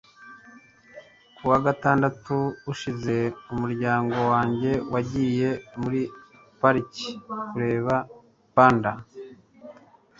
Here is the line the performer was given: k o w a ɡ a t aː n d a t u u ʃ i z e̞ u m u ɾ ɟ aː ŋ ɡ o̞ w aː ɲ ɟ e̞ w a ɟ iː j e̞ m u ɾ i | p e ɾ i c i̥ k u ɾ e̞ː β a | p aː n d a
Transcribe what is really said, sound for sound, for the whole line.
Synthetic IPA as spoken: k u w a ɡ a t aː n d a t u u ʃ i z e̞ u m u ɾ ɟ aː ŋ ɡ o̞ w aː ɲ ɟ e̞ w a ɟ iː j e̞ m u ɾ i | p a ɾ i c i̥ k u ɾ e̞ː β a | p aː n d a